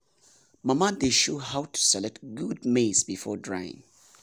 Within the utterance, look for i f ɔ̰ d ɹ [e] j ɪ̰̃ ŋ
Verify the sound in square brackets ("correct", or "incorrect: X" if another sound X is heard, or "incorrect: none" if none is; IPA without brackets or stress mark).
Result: incorrect: a